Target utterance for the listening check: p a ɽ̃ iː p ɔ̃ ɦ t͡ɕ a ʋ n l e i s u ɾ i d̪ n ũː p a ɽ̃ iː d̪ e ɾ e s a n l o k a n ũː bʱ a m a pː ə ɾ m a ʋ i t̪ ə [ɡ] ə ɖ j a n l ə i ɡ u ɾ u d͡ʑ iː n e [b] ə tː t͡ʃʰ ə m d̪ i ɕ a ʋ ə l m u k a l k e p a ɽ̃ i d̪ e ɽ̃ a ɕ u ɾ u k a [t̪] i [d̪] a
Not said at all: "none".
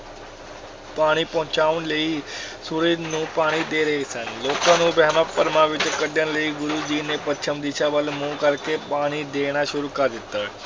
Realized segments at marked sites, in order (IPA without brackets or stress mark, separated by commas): k, p, d̪, t̪